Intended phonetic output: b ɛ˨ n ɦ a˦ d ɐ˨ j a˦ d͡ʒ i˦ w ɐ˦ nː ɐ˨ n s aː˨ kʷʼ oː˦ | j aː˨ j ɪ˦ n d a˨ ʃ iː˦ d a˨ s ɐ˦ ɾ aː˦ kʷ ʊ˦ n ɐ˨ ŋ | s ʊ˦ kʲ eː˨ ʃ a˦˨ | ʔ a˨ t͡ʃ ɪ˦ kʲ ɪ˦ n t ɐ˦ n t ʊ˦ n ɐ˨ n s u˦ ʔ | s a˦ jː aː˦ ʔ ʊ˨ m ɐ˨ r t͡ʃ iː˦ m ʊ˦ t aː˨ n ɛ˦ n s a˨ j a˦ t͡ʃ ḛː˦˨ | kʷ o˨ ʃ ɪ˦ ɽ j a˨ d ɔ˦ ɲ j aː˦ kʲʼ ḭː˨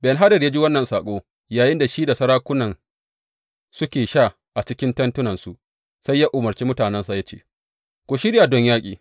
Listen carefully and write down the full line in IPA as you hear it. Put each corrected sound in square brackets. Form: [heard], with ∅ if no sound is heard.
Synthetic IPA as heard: b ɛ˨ n ɦ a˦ d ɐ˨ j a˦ d͡ʒ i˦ w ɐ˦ nː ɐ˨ n s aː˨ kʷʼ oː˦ | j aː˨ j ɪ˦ n d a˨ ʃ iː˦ d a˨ s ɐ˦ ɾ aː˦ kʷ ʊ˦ n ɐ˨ [n] | s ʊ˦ kʲ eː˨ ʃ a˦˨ | ʔ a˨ t͡ʃ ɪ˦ kʲ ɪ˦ n t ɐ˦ n t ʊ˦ n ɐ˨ n s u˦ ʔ | s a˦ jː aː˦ ʔ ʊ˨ m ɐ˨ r t͡ʃ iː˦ m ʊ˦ t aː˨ n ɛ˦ n s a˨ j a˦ t͡ʃ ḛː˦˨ | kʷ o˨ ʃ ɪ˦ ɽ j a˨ d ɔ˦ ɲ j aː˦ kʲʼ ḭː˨